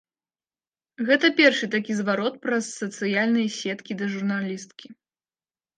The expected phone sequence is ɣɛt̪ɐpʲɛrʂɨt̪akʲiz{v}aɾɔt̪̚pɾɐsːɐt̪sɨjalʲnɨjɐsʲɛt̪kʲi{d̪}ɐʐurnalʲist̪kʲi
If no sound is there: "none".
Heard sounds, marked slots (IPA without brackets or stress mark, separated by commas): v, d̪